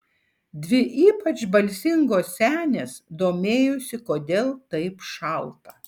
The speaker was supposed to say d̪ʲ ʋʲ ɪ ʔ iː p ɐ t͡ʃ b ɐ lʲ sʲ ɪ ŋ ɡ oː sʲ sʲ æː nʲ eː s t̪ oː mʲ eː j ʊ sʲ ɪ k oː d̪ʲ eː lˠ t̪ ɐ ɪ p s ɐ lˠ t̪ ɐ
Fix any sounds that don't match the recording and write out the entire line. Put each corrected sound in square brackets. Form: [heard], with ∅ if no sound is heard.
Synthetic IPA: d̪ʲ ʋʲ ɪ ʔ iː p ɐ t͡ʃ b ɐ lʲ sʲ ɪ ŋ ɡ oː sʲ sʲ æː nʲ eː s [d̪] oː mʲ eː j ʊ sʲ ɪ k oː d̪ʲ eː lˠ t̪ ɐ ɪ p [ʃ] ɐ lˠ t̪ ɐ